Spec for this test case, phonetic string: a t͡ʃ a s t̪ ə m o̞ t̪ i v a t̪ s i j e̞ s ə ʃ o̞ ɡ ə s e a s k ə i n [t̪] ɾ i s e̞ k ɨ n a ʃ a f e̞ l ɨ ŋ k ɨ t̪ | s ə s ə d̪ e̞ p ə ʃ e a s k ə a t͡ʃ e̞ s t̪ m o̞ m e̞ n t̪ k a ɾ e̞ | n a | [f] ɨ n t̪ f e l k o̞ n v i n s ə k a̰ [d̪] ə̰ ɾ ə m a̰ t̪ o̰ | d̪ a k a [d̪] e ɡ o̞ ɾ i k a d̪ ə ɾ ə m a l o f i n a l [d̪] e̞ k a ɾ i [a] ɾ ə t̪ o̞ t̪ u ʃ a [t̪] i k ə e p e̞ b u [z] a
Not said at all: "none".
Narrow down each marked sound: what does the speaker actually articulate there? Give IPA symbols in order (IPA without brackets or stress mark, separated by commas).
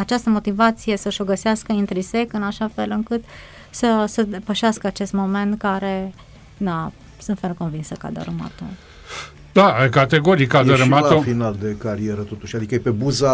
t̪, s, d̪, t̪, d̪, e, d̪, z